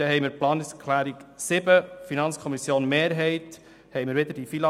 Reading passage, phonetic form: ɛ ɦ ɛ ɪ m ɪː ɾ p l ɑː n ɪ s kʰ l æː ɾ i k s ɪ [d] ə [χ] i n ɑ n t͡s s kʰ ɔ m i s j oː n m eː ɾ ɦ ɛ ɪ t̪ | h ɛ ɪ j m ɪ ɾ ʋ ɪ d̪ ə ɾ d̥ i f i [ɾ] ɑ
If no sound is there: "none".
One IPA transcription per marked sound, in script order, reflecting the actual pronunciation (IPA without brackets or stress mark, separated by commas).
b, f, l